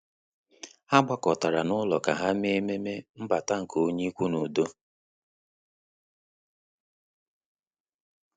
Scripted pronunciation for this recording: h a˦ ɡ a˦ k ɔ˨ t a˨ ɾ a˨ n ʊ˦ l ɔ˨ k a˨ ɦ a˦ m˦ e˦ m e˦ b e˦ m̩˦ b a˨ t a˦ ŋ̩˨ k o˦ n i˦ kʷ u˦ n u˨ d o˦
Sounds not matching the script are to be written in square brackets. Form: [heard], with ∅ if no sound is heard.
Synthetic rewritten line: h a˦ [ɡ͡b] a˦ k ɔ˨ t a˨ ɾ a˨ n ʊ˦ l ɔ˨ k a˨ ɦ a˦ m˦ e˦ m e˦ [m] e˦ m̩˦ b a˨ t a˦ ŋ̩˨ k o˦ [ɲ] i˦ kʷ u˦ n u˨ d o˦